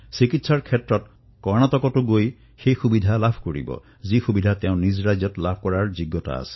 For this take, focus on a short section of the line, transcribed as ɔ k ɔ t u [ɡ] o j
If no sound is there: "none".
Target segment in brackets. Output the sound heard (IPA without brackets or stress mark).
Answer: ɡ